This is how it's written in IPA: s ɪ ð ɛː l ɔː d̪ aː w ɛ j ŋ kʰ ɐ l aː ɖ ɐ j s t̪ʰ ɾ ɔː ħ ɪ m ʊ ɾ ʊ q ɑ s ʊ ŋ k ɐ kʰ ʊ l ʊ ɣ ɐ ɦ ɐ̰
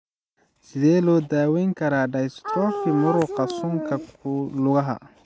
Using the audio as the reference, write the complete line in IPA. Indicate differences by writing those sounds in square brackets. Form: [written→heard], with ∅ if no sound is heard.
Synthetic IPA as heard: s ɪ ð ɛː l ɔː d̪ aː w ɛ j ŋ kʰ ɐ [l→ɾ] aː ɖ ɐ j s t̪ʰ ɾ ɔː [ħ→f] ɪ m ʊ ɾ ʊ q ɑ s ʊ ŋ [k→kʰ] ɐ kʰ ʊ l ʊ ɣ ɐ ɦ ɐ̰

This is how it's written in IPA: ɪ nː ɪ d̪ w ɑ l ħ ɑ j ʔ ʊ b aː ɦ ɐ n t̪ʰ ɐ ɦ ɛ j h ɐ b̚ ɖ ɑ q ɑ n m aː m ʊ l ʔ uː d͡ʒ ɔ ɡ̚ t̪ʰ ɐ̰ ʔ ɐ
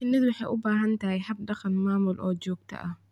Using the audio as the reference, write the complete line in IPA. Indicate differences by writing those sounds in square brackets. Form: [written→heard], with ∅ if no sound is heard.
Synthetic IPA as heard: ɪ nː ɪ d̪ w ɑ [l→∅] ħ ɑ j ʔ ʊ b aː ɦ ɐ n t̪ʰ ɐ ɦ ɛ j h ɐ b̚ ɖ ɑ q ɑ n m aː m ʊ l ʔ [uː→ɔː] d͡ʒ [ɔ→ɔː] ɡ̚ t̪ʰ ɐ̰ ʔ ɐ

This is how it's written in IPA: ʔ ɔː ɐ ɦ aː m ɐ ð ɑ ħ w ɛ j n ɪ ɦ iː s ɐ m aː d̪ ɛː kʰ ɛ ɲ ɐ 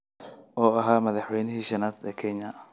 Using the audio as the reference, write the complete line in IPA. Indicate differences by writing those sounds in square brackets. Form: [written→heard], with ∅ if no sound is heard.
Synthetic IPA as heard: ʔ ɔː ɐ ɦ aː m ɐ ð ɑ ħ w ɛ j n ɪ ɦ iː [s→ʃ] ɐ [m→n] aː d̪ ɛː kʰ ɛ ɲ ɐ

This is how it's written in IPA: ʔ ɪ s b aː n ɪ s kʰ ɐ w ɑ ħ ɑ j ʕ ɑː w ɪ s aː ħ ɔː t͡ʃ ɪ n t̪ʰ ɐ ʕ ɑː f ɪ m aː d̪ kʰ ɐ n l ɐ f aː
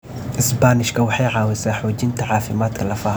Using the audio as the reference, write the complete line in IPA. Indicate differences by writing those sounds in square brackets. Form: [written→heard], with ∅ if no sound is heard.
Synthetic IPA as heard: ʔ ɪ s b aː n ɪ [s→ʃ] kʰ ɐ w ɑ ħ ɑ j ʕ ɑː w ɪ s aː ħ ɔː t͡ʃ ɪ n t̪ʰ ɐ ʕ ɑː f ɪ m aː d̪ kʰ ɐ [n→∅] l ɐ f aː

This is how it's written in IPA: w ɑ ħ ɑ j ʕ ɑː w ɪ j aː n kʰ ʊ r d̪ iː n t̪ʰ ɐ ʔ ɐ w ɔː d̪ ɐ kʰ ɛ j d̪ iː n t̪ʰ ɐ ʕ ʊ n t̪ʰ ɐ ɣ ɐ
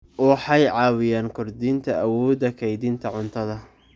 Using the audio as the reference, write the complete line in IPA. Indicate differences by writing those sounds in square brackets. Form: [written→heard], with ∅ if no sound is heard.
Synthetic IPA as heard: w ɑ ħ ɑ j ʕ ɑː w ɪ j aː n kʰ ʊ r d̪ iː n t̪ʰ ɐ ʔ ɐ w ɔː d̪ ɐ kʰ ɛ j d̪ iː n t̪ʰ ɐ ʕ ʊ n t̪ʰ ɐ [ɣ→ð] ɐ

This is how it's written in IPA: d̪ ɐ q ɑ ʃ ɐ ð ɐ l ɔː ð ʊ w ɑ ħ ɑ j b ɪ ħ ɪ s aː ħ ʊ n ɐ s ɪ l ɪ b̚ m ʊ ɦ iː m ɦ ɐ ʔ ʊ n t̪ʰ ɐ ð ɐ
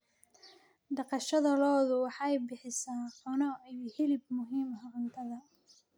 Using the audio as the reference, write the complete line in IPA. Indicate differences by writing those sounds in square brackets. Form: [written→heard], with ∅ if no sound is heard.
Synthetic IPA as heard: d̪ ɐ q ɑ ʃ ɐ ð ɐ l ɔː ð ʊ w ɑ ħ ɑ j b ɪ ħ ɪ s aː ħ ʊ n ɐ [s→h] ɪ l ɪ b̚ m ʊ ɦ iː m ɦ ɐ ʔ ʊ n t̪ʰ ɐ ð ɐ

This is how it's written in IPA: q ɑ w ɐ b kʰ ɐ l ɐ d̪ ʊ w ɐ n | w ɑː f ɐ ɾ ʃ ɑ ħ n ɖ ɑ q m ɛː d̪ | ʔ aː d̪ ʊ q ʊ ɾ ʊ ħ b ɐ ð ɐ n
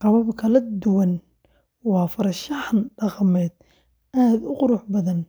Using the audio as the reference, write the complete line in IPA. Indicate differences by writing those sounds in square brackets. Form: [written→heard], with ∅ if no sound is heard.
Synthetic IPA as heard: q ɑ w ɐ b kʰ ɐ l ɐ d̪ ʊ w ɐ n | w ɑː f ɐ ɾ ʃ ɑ ħ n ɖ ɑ q m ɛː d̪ | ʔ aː d̪ ʊ q ʊ ɾ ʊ ħ b ɐ ð ɐ n

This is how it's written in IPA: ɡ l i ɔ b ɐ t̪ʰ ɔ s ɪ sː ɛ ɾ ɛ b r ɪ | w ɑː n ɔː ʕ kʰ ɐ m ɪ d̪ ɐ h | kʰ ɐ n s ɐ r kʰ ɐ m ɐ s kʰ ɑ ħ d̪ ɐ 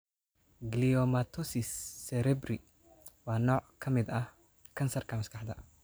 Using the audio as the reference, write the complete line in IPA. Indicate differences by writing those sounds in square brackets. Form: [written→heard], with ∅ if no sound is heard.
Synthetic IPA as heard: ɡ l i ɔ [b→m] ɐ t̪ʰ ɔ s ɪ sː ɛ ɾ ɛ b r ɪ | w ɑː n ɔː ʕ kʰ ɐ m ɪ d̪ ɐ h | kʰ ɐ n s ɐ r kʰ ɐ m ɐ s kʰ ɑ ħ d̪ ɐ

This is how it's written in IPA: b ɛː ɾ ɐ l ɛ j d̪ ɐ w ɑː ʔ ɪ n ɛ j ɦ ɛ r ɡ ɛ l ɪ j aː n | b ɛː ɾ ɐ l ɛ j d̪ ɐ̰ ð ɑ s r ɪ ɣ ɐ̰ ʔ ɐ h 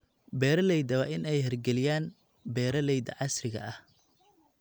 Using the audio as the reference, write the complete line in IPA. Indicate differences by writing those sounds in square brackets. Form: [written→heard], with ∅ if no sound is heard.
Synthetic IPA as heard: b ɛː ɾ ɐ l ɛ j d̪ ɐ w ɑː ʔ ɪ n ɛ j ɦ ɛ r ɡ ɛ l ɪ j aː n | b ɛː ɾ ɐ l ɛ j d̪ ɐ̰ [ð→ʕ] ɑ s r ɪ ɣ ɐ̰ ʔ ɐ h

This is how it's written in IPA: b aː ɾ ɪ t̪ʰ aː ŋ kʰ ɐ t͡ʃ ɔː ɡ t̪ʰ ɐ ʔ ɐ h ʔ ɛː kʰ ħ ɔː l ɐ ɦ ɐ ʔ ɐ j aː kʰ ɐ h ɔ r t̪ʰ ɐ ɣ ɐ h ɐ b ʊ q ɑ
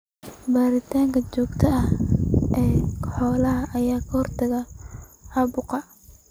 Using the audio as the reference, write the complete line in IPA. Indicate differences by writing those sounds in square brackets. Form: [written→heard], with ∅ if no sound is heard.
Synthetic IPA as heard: b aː ɾ ɪ t̪ʰ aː ŋ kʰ ɐ t͡ʃ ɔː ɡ t̪ʰ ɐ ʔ ɐ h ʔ ɛː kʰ ħ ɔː l ɐ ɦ ɐ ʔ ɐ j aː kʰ ɐ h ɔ r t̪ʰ ɐ ɣ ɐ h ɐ b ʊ q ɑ

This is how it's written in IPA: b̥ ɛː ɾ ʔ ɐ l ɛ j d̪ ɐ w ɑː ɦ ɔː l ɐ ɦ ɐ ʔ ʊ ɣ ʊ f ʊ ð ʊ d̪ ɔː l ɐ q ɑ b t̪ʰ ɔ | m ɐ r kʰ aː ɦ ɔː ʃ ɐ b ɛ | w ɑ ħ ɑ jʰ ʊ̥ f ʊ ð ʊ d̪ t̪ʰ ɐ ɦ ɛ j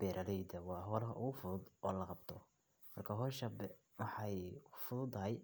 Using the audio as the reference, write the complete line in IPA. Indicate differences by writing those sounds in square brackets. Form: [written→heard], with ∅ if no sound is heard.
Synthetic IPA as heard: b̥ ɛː ɾ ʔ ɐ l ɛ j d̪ ɐ w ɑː ɦ ɔː l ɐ ɦ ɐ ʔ ʊ ɣ ʊ f ʊ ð ʊ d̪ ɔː l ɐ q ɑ b t̪ʰ ɔ | m ɐ r kʰ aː ɦ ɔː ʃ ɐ b ɛ | w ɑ ħ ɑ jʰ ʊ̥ f ʊ ð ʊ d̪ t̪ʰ ɐ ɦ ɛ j

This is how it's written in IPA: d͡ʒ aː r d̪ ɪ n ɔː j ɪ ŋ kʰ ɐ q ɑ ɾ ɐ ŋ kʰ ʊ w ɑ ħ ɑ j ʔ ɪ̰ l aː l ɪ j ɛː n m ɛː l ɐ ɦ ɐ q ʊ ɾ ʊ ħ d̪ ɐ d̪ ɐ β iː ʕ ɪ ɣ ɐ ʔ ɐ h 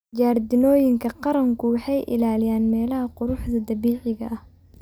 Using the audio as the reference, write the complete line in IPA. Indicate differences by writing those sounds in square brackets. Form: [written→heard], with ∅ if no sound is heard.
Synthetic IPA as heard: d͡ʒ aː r d̪ ɪ n ɔː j ɪ ŋ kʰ ɐ q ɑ ɾ ɐ ŋ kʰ ʊ w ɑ ħ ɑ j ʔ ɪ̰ l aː l ɪ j [ɛː→aː] n m ɛː l ɐ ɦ ɐ q ʊ ɾ ʊ ħ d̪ ɐ d̪ ɐ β iː ʕ ɪ ɣ ɐ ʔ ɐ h

